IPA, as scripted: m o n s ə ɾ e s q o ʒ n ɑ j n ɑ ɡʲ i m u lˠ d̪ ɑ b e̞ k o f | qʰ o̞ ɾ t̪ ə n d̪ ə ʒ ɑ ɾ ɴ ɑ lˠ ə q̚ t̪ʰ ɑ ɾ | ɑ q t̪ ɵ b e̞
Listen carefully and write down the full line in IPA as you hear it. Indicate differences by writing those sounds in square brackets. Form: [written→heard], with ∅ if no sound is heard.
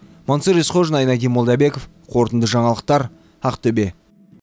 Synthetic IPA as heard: m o n s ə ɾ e s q o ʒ n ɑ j n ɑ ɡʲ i m [u→o] lˠ d̪ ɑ b e̞ k o f | qʰ o̞ ɾ t̪ ə n d̪ ə ʒ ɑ [ɾ→∅] ɴ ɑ lˠ ə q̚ [t̪ʰ→t̪] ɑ ɾ | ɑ q t̪ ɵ b e̞